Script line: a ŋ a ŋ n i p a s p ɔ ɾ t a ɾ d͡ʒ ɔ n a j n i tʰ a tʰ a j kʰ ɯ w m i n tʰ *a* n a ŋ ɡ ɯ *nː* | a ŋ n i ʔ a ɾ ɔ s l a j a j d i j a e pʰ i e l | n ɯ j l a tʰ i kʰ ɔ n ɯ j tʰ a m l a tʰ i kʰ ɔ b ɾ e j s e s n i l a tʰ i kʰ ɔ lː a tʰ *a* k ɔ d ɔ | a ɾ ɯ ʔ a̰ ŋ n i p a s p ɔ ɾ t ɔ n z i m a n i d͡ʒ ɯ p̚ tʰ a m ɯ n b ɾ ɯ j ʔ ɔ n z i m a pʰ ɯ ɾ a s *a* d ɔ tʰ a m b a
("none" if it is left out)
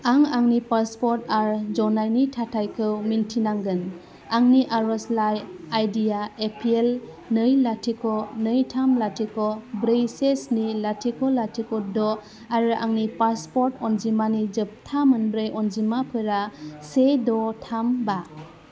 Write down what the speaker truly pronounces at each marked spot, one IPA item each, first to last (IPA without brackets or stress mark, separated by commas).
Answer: i, n, i, e